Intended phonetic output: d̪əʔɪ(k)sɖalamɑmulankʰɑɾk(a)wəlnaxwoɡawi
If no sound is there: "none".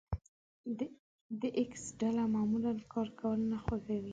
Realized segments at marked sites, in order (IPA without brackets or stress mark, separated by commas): k, a